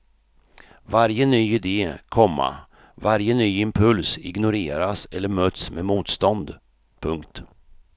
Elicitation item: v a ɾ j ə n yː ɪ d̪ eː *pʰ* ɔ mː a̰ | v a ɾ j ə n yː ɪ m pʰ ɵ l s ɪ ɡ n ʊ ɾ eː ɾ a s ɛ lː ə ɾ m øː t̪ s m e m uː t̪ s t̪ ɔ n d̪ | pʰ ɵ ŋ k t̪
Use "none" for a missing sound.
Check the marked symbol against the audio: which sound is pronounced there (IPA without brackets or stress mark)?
kʰ